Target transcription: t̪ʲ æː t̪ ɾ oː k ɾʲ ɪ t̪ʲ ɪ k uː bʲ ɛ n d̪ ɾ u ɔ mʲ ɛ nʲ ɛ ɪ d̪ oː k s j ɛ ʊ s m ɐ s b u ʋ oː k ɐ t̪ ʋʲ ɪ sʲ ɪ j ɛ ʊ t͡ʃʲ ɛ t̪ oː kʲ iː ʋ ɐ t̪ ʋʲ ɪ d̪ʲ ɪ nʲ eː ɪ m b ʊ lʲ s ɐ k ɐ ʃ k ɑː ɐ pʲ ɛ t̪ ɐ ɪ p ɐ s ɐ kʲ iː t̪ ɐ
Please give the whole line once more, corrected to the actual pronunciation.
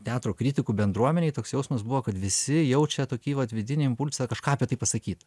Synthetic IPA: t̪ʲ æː t̪ ɾ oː k ɾʲ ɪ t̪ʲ ɪ k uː bʲ ɛ n d̪ ɾ u ɔ mʲ ɛ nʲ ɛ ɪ t̪ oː k s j ɛ ʊ s m ɐ s b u ʋ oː k ɐ t̪ ʋʲ ɪ sʲ ɪ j ɛ ʊ t͡ʃʲ ɛ t̪ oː kʲ iː ʋ ɐ t̪ ʋʲ ɪ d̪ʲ ɪ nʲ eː ɪ m p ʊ lʲ s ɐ k ɐ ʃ k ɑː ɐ pʲ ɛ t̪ ɐ ɪ p ɐ s ɐ kʲ iː t̪ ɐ